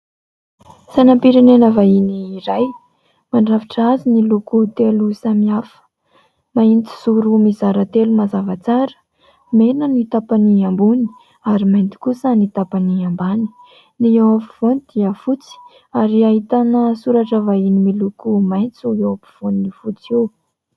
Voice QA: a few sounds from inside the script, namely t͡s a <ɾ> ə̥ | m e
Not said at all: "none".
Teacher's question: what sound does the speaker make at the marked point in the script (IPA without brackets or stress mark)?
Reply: ɾ